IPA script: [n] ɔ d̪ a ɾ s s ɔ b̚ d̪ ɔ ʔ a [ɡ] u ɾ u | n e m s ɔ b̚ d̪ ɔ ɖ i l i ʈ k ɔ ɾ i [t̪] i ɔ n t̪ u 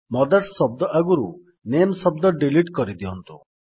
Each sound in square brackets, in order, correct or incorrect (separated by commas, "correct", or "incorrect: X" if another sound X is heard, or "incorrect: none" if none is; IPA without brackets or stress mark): incorrect: m, correct, incorrect: d̪